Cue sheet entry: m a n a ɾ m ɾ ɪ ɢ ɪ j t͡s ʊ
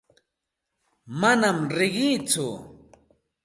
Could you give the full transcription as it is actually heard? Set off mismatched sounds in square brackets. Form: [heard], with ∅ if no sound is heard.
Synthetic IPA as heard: m a n a [∅] m ɾ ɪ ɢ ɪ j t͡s ʊ